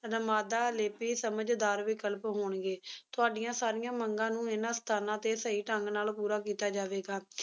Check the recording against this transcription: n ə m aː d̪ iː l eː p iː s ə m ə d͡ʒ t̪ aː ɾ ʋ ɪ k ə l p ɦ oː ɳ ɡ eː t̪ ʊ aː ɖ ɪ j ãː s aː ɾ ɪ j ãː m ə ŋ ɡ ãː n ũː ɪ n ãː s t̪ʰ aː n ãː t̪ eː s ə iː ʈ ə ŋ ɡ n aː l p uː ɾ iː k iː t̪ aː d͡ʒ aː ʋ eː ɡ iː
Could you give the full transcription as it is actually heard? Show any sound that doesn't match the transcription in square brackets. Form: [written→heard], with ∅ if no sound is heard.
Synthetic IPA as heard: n ə m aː d̪ [iː→aː] l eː p iː s ə m ə d͡ʒ [t̪→d̪] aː ɾ ʋ ɪ k ə l p ɦ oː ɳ ɡ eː t̪ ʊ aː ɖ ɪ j ãː s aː ɾ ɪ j ãː m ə ŋ ɡ ãː n ũː ɪ n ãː s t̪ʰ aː n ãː t̪ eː s ə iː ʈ ə ŋ ɡ n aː l p uː ɾ [iː→aː] k iː t̪ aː d͡ʒ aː ʋ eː ɡ [iː→aː]